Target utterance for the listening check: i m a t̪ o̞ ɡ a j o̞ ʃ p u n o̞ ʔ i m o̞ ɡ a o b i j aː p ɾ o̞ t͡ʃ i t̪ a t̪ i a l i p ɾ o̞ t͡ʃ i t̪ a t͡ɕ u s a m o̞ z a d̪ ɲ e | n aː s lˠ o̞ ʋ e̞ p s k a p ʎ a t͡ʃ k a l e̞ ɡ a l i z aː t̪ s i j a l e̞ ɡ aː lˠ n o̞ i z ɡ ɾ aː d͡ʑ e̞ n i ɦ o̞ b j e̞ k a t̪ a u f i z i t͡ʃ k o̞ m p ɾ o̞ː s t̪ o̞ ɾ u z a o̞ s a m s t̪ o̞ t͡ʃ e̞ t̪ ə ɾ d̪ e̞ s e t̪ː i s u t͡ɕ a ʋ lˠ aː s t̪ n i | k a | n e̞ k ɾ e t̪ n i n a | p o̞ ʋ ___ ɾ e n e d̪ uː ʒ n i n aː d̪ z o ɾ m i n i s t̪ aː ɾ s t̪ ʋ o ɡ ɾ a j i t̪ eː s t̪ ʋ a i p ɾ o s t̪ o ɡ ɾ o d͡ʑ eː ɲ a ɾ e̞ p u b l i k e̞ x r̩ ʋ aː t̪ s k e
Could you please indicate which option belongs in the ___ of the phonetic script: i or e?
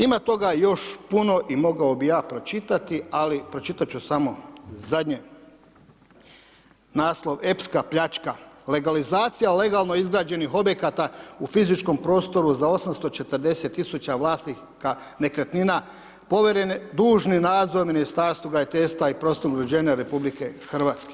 e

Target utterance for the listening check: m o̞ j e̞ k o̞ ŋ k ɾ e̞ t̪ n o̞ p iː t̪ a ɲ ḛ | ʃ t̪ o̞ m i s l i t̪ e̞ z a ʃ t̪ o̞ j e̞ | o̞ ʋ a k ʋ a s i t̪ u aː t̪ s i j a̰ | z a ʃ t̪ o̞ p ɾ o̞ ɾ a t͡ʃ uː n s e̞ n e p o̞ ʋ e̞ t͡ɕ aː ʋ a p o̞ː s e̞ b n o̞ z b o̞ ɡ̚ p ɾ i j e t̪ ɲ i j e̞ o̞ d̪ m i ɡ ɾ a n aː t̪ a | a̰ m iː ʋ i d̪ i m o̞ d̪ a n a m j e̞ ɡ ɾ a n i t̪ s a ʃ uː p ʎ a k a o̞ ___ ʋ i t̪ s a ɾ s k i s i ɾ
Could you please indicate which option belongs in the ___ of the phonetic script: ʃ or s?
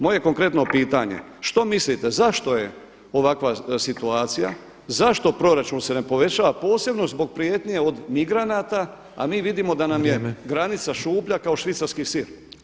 ʃ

